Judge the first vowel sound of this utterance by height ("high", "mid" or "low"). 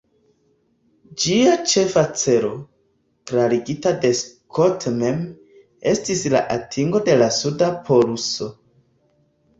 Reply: high